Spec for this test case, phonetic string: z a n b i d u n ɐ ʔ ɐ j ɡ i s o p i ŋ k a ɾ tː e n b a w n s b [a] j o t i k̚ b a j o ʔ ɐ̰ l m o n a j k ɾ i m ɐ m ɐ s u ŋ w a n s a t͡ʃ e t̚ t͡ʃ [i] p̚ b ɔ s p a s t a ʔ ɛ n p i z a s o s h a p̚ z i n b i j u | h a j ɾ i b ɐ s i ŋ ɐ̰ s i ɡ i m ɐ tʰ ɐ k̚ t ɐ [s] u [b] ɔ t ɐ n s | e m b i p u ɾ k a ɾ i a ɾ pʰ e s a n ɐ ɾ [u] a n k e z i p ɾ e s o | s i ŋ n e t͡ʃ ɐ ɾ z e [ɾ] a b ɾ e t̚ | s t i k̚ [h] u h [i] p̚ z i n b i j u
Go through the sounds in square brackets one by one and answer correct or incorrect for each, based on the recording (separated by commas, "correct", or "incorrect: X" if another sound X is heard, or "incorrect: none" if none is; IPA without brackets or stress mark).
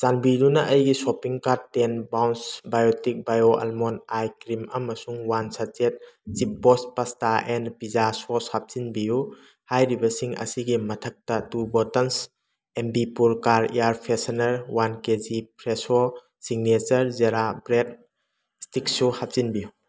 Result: correct, correct, incorrect: t, correct, incorrect: w, correct, incorrect: s, incorrect: a